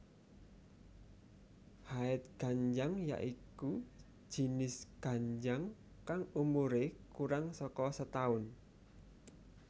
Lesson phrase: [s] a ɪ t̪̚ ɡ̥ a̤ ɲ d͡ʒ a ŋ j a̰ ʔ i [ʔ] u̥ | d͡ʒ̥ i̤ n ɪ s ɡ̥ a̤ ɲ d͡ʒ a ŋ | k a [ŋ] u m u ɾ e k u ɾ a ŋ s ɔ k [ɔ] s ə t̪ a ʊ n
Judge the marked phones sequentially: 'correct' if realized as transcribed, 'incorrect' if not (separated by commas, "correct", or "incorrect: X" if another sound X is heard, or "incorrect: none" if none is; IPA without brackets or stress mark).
incorrect: h, incorrect: k, correct, correct